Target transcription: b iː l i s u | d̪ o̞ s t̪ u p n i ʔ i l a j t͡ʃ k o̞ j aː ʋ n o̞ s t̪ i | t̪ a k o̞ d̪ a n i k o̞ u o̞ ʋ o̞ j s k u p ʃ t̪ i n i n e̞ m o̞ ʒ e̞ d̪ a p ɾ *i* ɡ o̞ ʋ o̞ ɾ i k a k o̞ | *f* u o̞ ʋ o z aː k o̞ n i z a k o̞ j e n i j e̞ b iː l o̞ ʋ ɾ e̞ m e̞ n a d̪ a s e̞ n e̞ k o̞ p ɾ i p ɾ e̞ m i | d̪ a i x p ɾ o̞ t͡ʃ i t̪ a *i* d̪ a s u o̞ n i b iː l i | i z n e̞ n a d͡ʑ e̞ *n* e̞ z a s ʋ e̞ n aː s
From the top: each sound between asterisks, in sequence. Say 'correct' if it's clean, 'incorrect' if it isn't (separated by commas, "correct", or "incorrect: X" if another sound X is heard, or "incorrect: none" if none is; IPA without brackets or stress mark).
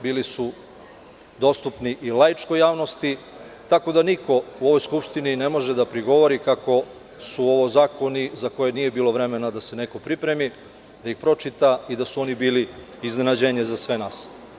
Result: correct, incorrect: s, correct, incorrect: ɲ